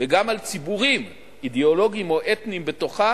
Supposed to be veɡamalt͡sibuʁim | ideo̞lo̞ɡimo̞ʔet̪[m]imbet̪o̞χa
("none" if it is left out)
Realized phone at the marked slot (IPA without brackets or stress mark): n